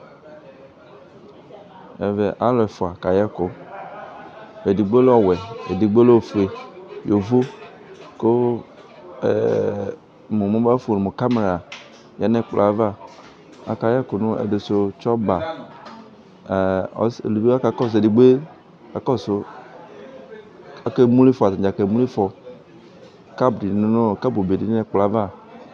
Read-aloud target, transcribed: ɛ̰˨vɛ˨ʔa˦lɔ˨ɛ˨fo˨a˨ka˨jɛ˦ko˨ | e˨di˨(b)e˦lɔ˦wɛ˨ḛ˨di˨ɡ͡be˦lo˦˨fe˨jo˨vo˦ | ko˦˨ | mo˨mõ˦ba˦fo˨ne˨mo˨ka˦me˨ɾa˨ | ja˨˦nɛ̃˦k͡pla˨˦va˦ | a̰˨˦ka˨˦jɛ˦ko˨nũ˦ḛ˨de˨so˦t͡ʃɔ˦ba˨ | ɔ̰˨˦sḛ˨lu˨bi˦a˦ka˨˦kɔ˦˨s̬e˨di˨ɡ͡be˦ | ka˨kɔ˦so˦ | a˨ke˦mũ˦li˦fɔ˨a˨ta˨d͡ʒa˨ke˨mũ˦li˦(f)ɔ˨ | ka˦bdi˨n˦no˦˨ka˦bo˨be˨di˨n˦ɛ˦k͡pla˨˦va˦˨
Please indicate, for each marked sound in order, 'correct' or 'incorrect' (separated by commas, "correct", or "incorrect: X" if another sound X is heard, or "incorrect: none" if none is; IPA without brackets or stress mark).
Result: incorrect: ɡ͡b, correct